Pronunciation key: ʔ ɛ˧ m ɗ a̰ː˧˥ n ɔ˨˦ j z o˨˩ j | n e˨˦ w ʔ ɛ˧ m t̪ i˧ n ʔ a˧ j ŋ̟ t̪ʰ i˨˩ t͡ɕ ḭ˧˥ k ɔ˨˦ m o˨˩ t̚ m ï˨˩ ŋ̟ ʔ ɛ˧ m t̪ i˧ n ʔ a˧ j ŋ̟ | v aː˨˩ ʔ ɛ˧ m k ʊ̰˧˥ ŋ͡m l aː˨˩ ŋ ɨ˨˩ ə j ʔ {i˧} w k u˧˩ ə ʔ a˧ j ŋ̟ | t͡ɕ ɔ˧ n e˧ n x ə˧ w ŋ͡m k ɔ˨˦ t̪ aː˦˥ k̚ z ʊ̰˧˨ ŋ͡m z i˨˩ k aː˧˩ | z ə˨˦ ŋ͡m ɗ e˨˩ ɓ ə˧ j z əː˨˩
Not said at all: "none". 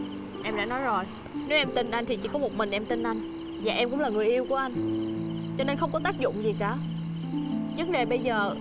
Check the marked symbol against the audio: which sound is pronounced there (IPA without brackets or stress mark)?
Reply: i˧